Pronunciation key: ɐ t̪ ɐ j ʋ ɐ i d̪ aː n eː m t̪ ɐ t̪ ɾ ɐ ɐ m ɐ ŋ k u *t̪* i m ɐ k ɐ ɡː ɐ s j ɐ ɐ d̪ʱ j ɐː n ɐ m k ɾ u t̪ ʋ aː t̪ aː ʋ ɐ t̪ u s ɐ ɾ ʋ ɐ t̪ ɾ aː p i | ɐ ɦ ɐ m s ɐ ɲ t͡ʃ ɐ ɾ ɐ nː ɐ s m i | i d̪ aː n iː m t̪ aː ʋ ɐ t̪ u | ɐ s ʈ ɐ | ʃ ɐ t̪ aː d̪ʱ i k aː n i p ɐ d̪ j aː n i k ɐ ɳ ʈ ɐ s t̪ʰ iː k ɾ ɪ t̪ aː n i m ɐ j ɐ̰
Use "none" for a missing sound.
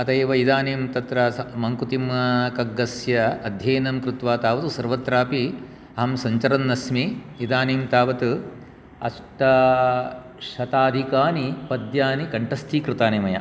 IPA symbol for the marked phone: t̪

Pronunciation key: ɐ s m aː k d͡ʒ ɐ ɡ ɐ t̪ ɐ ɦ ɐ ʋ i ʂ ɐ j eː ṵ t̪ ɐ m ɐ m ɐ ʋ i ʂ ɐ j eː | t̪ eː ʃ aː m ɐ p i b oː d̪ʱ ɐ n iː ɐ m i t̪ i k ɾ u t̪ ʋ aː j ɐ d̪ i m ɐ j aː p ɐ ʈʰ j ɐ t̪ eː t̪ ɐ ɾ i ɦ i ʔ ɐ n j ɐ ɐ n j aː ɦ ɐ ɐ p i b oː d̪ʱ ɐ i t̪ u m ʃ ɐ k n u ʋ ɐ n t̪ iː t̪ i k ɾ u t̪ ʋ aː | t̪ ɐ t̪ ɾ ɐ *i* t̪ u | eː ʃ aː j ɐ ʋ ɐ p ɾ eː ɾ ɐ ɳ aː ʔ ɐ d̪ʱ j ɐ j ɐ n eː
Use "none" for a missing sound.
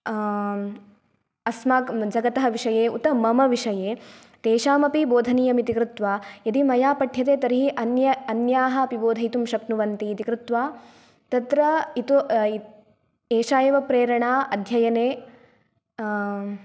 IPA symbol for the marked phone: i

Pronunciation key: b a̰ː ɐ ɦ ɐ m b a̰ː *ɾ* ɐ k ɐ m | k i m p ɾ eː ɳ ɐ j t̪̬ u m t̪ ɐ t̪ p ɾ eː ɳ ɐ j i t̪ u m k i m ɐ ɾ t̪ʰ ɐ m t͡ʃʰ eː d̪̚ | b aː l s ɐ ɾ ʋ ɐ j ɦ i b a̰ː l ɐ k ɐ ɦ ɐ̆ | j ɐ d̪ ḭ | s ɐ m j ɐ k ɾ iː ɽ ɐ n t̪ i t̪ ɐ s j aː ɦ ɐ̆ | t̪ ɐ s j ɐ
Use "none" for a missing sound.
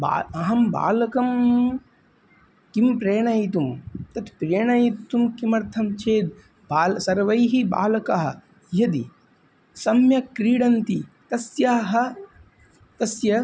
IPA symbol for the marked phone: l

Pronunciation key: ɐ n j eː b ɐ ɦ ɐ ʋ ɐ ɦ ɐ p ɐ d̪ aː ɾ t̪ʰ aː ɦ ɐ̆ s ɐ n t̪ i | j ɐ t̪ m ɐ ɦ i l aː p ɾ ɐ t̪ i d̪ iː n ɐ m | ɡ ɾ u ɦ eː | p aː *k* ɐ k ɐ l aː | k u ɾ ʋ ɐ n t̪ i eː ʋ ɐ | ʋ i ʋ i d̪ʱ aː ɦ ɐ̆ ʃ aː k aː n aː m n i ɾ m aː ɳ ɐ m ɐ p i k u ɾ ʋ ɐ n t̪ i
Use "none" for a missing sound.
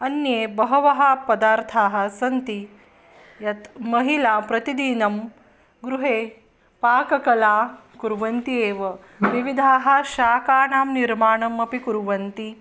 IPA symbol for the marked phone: k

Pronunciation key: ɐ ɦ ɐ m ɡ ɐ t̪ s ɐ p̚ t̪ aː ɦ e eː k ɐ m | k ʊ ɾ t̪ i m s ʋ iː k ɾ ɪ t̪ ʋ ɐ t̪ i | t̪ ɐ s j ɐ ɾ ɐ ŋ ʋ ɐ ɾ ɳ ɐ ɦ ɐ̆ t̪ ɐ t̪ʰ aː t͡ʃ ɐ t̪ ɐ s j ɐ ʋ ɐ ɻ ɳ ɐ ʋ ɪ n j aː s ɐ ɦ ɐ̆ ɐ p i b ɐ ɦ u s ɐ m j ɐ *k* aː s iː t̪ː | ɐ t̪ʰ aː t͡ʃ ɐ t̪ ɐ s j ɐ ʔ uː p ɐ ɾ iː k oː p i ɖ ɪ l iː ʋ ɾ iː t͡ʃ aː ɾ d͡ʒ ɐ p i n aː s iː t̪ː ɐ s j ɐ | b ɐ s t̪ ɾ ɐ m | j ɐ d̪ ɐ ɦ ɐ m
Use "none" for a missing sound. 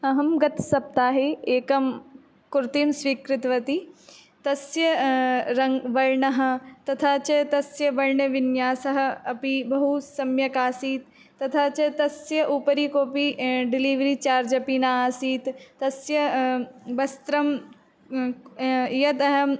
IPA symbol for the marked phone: k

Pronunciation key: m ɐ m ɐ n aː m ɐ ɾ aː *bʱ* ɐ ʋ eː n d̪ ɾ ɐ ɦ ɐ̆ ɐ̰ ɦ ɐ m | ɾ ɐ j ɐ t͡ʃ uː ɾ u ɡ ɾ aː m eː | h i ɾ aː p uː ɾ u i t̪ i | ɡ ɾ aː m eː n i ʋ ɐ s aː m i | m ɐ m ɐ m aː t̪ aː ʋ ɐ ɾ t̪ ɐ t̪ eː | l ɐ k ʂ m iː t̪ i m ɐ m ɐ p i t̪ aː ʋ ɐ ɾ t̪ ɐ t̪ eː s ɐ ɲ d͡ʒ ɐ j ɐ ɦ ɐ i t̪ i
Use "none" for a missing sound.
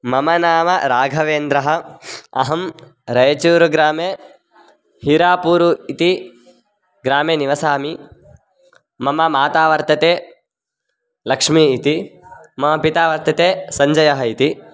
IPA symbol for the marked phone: ɡʱ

